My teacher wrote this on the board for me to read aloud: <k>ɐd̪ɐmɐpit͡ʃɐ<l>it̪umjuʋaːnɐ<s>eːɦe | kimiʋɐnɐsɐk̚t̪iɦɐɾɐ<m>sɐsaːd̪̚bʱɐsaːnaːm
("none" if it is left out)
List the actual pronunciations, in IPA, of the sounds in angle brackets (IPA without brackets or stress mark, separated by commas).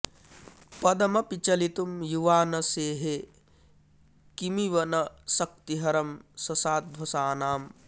p, l, s, m